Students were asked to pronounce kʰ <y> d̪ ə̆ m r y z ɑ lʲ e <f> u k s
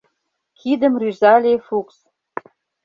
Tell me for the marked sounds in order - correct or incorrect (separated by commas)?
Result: incorrect, correct